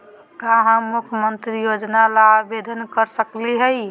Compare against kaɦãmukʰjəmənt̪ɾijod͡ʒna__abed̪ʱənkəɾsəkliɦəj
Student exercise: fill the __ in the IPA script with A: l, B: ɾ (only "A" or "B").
A